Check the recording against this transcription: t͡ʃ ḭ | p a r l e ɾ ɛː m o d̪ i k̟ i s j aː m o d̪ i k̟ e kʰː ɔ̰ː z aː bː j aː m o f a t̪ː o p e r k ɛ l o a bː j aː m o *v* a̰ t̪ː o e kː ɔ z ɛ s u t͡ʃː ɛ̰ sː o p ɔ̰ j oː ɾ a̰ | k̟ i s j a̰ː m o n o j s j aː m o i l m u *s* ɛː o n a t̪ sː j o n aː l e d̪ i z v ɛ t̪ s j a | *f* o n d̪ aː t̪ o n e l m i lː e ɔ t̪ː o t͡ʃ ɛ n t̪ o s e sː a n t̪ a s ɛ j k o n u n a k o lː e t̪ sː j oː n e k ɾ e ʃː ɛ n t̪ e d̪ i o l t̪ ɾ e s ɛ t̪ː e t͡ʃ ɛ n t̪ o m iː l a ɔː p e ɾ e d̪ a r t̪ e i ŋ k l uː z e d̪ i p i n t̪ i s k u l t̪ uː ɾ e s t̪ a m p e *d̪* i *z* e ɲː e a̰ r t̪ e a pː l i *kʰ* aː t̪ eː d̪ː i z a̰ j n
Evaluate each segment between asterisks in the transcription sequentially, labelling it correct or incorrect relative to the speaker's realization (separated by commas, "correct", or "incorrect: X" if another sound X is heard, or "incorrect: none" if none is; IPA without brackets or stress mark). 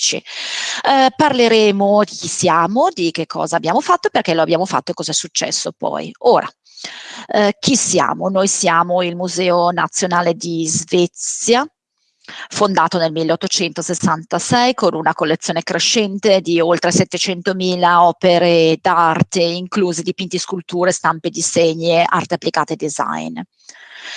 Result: incorrect: f, incorrect: z, correct, correct, incorrect: s, incorrect: k